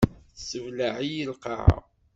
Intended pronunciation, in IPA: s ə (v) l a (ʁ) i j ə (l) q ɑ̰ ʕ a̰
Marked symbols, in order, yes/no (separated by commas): yes, no, yes